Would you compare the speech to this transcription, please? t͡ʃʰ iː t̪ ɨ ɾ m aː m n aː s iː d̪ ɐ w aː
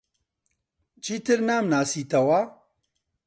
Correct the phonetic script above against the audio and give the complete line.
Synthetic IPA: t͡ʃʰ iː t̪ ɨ ɾ n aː m n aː s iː t̪ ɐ w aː